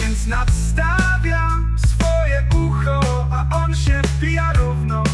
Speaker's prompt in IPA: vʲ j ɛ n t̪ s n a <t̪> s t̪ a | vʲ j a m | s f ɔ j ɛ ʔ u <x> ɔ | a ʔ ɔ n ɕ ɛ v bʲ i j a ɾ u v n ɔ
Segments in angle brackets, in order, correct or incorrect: correct, correct

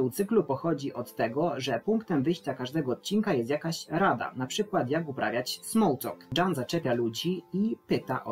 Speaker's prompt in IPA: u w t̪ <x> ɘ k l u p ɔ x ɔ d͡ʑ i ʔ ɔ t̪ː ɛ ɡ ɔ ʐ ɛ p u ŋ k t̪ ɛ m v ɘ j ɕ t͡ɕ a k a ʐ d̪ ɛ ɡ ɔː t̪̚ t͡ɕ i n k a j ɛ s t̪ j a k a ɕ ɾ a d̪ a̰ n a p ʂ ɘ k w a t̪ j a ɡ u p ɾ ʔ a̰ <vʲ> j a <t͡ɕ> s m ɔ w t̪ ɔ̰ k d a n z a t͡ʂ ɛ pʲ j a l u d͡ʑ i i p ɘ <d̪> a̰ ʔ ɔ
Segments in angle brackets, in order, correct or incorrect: incorrect, correct, correct, incorrect

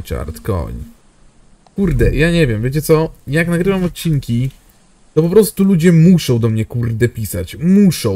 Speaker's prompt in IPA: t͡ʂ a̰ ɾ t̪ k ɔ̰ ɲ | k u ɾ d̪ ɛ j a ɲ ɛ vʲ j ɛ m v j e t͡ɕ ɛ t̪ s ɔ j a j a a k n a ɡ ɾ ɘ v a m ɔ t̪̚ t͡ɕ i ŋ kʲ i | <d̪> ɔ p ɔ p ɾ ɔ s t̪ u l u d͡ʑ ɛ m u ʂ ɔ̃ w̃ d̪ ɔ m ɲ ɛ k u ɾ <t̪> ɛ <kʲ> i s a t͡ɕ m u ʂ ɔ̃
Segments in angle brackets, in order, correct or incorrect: incorrect, incorrect, incorrect

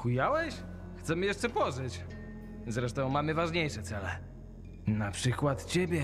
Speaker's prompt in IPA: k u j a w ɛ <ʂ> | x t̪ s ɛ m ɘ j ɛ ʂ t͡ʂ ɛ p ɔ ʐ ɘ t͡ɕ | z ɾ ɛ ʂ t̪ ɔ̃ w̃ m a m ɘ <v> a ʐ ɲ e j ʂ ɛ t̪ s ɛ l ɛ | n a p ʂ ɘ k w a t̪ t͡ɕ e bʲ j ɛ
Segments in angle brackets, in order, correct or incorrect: incorrect, correct

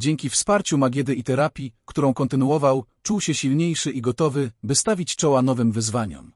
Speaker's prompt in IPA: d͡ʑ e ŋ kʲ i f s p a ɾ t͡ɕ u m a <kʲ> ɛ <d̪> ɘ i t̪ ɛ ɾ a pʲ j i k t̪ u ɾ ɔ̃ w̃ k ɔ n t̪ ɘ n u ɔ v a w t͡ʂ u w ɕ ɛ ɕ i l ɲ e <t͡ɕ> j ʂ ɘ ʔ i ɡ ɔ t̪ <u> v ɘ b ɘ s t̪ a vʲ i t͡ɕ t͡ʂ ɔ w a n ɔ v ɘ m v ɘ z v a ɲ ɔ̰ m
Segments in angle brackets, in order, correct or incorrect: incorrect, correct, incorrect, incorrect

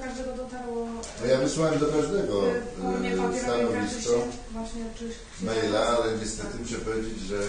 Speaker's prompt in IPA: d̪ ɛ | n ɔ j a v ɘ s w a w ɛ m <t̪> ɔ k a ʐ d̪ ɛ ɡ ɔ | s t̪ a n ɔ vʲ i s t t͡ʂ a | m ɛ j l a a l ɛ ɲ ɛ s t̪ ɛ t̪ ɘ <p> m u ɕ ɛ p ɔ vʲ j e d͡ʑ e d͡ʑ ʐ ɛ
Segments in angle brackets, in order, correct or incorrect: incorrect, incorrect

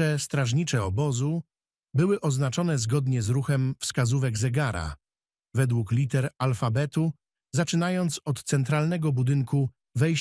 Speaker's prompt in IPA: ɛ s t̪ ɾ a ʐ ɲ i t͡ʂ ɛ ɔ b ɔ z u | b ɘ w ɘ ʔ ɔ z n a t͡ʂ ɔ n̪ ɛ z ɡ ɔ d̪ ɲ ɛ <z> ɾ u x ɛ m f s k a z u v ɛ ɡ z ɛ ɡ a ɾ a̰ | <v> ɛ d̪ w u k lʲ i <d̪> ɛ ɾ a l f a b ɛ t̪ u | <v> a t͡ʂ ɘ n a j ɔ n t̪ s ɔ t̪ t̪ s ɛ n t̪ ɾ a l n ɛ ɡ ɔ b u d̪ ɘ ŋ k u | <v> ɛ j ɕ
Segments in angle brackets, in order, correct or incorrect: correct, correct, incorrect, incorrect, correct

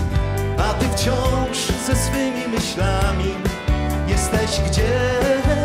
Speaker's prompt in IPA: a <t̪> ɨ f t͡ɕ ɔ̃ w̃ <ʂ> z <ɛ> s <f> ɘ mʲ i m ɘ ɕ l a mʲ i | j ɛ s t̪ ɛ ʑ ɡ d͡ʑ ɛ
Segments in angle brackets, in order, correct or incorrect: correct, correct, correct, correct

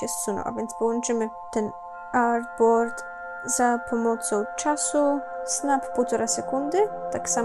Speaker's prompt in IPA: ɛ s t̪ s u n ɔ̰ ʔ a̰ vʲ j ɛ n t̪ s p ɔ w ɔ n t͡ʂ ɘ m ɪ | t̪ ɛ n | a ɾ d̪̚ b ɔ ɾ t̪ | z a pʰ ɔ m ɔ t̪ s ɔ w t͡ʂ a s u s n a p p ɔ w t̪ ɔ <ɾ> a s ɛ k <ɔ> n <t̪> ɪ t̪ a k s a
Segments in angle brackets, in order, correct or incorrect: correct, incorrect, incorrect

